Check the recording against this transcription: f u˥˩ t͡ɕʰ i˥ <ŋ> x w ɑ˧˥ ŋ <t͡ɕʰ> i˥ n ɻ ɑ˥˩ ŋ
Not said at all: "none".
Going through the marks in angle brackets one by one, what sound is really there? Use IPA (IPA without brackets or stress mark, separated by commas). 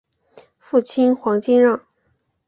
n, t͡ɕ